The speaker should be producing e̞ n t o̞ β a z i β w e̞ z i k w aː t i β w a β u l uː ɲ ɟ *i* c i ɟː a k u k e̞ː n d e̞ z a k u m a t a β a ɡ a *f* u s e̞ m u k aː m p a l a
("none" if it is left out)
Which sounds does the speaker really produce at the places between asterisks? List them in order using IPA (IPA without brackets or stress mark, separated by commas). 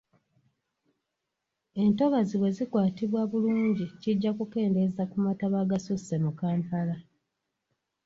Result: i, s